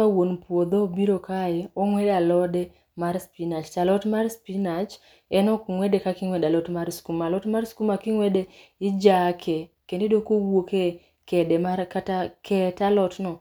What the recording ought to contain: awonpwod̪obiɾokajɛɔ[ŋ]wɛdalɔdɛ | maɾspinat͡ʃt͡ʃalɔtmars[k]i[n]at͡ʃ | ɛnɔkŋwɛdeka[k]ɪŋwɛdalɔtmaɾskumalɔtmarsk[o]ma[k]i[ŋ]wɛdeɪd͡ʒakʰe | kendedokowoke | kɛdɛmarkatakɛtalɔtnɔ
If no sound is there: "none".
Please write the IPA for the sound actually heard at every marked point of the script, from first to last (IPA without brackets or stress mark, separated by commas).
ŋ, p, n, k, u, k, ŋ